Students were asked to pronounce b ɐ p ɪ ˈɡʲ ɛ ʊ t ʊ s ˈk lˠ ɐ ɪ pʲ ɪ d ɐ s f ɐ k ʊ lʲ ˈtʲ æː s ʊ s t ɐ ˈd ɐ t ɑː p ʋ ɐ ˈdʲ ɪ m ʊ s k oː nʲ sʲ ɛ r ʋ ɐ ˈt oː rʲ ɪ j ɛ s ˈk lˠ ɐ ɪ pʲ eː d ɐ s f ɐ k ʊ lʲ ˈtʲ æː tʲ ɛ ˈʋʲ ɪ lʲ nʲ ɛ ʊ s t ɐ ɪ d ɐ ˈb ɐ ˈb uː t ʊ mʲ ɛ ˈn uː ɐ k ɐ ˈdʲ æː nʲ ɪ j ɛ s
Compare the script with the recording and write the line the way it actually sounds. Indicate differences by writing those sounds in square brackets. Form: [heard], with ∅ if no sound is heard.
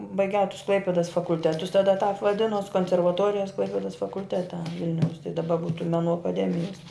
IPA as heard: b ɐ [∅] ɪ ˈɡʲ ɛ ʊ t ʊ s ˈk lˠ ɐ ɪ pʲ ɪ d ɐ s f ɐ k ʊ lʲ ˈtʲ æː [t] ʊ s t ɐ ˈd ɐ t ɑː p ʋ ɐ ˈdʲ ɪ [n] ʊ s k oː nʲ sʲ ɛ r ʋ ɐ ˈt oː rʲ ɪ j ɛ s ˈk lˠ ɐ ɪ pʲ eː d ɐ s f ɐ k ʊ lʲ ˈtʲ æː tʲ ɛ ˈʋʲ ɪ lʲ nʲ ɛ ʊ s t ɐ ɪ d ɐ ˈb ɐ ˈb uː t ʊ mʲ ɛ ˈn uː ɐ k ɐ ˈdʲ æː [mʲ] ɪ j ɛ s

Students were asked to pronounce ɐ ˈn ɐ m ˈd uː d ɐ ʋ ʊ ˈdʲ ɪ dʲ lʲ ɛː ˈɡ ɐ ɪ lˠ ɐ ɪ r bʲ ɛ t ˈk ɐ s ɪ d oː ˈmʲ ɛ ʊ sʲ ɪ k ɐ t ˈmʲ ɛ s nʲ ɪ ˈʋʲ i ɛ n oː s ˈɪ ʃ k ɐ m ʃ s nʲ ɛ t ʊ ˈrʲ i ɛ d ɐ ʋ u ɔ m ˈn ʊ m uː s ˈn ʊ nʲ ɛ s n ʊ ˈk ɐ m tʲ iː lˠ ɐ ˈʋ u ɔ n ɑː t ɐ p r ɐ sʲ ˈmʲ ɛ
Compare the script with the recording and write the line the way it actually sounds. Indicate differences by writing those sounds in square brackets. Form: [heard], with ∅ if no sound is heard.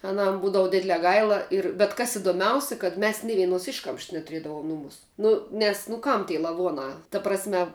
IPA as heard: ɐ ˈn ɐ m [ˈb] uː d ɐ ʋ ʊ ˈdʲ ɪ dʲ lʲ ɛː ˈɡ ɐ ɪ lˠ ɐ ɪ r bʲ ɛ t ˈk ɐ s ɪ d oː ˈmʲ ɛ ʊ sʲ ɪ k ɐ t ˈmʲ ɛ s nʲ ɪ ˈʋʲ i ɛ n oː s ˈɪ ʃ k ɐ m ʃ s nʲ ɛ t ʊ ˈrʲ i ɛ d ɐ ʋ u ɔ m ˈn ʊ m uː s ˈn ʊ nʲ ɛ s n ʊ ˈk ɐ m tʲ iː lˠ ɐ ˈʋ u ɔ n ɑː t ɐ p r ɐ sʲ ˈmʲ ɛ

